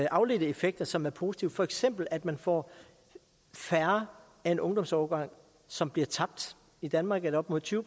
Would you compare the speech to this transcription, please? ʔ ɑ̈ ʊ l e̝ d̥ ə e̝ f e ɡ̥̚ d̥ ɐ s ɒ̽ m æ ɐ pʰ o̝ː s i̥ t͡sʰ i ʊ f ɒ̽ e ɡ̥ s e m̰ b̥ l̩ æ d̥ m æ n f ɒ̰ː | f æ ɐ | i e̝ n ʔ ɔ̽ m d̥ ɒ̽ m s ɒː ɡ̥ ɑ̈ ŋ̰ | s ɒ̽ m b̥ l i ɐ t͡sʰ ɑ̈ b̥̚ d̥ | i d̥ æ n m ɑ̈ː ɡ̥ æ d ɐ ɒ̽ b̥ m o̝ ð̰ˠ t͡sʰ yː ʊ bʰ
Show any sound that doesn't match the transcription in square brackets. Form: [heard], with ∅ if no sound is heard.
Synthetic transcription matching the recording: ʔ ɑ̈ ʊ l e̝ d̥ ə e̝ f e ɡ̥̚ d̥ ɐ s ɒ̽ m æ ɐ pʰ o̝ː s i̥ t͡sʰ i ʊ f ɒ̽ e ɡ̥ s e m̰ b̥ l̩ æ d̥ m æ n f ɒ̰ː | f æ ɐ | [æ] e̝ n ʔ ɔ̽ [ŋ] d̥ ɒ̽ m s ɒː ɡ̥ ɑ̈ ŋ̰ | s ɒ̽ m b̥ l i ɐ t͡sʰ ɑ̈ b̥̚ d̥ | i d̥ æ n m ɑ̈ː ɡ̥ æ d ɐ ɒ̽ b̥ m o̝ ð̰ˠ t͡sʰ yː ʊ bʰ

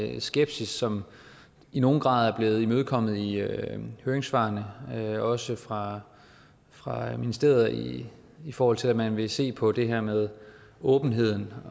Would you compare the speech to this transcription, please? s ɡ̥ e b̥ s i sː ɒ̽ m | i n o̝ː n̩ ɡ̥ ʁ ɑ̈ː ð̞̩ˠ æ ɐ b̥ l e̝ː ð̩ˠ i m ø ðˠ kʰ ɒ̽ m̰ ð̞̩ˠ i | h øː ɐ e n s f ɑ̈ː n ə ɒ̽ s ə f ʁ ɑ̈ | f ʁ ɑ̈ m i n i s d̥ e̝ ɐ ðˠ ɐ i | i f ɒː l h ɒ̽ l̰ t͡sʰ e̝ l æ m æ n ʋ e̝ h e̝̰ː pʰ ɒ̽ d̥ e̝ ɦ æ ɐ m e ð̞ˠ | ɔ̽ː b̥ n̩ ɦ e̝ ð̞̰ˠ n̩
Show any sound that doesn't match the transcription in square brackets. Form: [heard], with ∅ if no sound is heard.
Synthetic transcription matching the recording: s ɡ̥ e b̥ s i sː ɒ̽ m | i n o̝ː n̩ ɡ̥ ʁ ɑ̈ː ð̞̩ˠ æ ɐ b̥ l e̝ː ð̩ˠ i m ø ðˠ kʰ ɒ̽ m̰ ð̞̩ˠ i | h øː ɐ e [ŋ] s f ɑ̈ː n ə ɒ̽ s ə f ʁ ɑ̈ | f ʁ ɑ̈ m i n i s d̥ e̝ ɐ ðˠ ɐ i | i f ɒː [∅] h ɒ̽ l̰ t͡sʰ e̝ l æ m æ n ʋ e̝ [s] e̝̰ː pʰ ɒ̽ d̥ e̝ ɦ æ ɐ m e ð̞ˠ | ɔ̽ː b̥ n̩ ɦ e̝ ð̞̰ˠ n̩

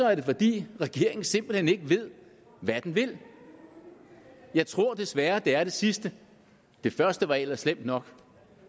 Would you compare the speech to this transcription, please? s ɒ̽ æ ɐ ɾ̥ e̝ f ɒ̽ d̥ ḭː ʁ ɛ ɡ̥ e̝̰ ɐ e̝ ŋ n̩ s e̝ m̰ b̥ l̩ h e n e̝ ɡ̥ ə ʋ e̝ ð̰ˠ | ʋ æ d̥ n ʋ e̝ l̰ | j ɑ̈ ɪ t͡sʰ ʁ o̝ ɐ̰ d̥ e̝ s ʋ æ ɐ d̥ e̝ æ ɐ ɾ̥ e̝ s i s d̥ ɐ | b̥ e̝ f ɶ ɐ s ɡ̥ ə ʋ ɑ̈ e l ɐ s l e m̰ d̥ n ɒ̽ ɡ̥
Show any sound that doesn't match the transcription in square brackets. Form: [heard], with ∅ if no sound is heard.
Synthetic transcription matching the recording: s ɒ̽ æ ɐ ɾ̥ e̝ f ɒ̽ d̥ ḭː ʁ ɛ ɡ̥ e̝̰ ɐ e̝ ŋ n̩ s e̝ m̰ b̥ l̩ h e n e̝ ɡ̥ ə ʋ e̝ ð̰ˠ | ʋ æ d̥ n ʋ e̝ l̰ | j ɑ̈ ɪ t͡sʰ ʁ o̝ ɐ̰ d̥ e̝ s ʋ æ ɐ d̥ e̝ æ ɐ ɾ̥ e̝ s i s d̥ [ə] | [d̥] e̝ f ɶ ɐ s [d̥] ə ʋ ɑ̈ e l ɐ s l e m̰ d̥ n ɒ̽ ɡ̥

